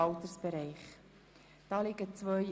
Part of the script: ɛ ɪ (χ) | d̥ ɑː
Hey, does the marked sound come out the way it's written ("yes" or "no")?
yes